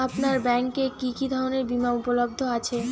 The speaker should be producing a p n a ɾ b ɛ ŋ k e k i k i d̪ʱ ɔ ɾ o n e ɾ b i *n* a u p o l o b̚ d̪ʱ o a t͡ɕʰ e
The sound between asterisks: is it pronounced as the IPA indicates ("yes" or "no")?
no